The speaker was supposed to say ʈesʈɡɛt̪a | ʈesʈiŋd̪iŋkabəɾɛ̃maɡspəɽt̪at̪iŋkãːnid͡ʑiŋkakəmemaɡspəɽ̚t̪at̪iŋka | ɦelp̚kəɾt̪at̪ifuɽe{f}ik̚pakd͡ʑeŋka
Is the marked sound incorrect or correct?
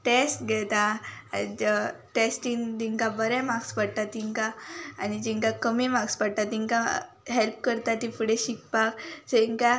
incorrect: ɕ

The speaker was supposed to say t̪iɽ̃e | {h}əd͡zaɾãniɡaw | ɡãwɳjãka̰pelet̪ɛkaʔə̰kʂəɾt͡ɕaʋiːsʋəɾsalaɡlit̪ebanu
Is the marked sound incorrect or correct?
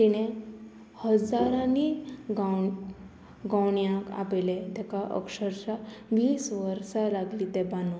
correct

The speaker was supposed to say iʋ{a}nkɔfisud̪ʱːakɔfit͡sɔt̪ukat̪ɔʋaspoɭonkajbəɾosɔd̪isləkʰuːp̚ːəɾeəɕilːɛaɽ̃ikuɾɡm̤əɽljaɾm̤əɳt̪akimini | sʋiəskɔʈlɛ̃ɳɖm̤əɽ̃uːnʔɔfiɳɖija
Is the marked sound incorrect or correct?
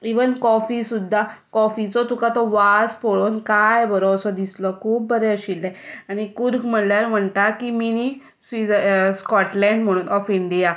incorrect: ə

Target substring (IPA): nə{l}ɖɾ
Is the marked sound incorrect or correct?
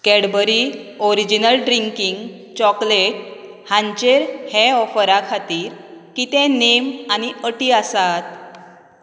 correct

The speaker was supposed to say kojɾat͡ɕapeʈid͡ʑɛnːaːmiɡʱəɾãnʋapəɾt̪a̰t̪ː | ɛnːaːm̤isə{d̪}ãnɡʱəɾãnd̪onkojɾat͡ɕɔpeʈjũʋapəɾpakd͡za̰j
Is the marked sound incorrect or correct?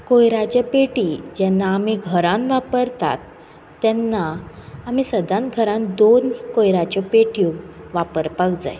correct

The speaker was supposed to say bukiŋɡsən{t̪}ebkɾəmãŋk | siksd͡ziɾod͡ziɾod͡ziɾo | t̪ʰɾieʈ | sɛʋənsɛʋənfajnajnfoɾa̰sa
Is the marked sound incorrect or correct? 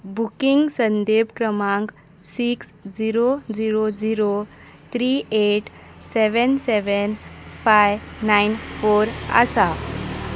incorrect: d̪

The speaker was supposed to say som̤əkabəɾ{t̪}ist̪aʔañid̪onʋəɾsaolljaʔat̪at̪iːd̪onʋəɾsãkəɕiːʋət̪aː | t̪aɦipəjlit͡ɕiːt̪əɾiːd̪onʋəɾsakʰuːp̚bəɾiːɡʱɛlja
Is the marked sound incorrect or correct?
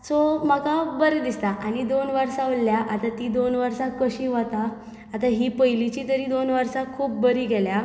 incorrect: d̪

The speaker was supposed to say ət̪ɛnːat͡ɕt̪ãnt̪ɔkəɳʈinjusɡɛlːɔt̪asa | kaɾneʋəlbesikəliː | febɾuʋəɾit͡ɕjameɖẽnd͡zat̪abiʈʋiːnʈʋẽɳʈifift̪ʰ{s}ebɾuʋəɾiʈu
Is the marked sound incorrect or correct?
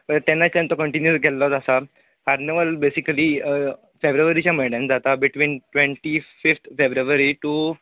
incorrect: f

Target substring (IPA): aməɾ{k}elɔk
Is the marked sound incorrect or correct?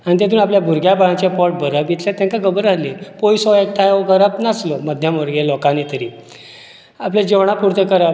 incorrect: ɡ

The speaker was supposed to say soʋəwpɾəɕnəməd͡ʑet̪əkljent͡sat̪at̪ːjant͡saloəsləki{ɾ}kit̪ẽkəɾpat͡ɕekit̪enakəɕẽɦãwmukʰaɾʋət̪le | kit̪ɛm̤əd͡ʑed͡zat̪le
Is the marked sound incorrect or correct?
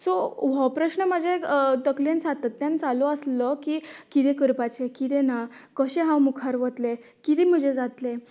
incorrect: none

